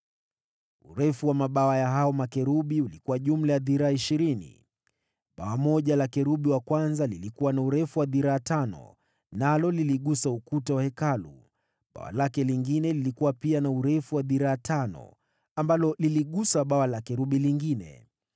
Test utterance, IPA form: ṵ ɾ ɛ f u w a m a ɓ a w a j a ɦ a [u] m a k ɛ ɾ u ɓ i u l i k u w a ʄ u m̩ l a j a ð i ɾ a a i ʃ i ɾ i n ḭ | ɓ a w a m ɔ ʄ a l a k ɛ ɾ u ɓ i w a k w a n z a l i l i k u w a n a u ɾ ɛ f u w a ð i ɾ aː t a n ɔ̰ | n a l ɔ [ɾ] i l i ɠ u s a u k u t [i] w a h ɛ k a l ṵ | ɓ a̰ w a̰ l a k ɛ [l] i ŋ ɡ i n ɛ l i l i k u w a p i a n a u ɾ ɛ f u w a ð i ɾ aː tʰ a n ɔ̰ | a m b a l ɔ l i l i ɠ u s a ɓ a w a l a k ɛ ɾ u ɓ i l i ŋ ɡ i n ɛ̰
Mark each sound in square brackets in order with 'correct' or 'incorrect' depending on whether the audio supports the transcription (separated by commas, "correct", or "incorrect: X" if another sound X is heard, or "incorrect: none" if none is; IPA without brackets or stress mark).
incorrect: ɔ, incorrect: l, incorrect: a, correct